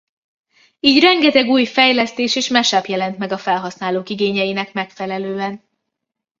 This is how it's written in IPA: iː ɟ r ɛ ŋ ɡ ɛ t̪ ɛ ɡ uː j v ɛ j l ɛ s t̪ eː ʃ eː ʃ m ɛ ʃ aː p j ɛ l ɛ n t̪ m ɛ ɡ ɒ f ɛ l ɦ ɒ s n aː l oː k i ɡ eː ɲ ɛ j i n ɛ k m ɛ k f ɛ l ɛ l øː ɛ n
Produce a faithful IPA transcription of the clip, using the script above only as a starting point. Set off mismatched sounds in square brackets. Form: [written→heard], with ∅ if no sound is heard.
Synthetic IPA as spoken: iː ɟ r ɛ ŋ ɡ ɛ t̪ ɛ ɡ uː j [v→f] ɛ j l ɛ s t̪ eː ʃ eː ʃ m ɛ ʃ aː p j ɛ l ɛ n t̪ m ɛ ɡ ɒ f ɛ l ɦ ɒ s n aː l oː k i ɡ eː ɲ ɛ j i n ɛ k m ɛ k f ɛ l ɛ l øː ɛ n